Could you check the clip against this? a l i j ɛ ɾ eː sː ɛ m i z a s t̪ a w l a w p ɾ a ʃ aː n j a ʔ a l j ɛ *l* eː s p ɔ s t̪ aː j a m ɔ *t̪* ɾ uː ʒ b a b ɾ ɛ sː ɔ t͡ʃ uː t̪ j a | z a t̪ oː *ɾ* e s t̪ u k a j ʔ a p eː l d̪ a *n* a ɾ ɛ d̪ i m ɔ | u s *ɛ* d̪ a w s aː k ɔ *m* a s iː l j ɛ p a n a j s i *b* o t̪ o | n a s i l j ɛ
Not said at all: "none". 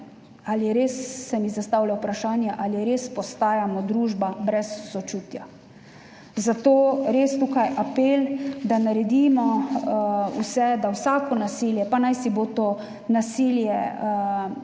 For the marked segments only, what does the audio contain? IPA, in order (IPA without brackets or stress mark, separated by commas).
ɾ, d̪, ɾ, n, ɛ, n, b